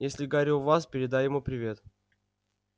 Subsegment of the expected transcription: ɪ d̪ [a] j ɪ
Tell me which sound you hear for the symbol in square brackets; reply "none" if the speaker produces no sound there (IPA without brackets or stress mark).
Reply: a